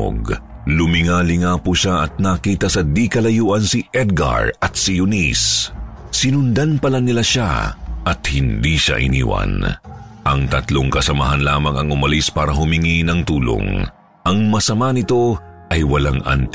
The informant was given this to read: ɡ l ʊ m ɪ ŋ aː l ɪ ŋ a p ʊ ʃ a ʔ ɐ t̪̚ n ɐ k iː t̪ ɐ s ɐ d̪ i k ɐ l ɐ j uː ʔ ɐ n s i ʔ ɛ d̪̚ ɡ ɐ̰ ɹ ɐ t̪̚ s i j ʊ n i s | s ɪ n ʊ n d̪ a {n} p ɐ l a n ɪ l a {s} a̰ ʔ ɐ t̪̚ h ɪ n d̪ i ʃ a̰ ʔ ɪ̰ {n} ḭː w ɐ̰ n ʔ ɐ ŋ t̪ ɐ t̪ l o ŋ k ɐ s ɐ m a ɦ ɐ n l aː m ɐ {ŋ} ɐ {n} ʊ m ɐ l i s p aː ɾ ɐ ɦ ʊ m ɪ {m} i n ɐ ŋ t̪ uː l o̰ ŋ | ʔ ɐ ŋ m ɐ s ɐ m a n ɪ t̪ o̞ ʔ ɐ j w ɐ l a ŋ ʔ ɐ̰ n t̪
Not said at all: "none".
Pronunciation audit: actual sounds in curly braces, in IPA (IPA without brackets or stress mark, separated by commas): n, ʃ, n, ŋ, ŋ, ŋ